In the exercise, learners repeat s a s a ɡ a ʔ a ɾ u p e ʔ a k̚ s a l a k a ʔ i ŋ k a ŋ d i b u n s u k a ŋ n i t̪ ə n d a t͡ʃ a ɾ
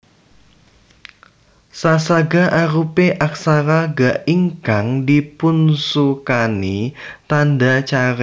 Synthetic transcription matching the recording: s a s a ɡ a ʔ a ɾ u p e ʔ a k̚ s a ɾ a ɡ a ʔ i ŋ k a ŋ d i p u n s u k a n i t̪ a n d a t͡ʃ a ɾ